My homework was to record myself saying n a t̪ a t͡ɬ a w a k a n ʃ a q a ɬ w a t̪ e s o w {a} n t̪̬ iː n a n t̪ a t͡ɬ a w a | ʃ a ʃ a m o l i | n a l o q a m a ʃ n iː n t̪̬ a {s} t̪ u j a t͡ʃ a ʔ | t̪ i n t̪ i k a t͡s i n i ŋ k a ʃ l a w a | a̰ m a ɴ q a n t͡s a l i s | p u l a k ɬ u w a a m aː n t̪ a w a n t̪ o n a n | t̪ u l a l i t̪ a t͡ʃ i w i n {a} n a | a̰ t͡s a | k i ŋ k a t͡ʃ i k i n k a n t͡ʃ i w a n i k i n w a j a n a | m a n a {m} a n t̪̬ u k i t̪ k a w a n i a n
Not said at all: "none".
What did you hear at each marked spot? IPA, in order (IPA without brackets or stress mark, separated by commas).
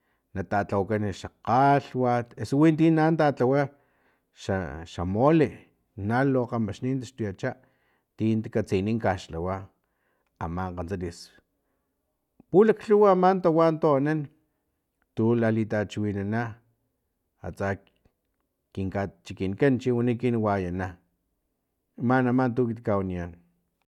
i, ʃ, a, m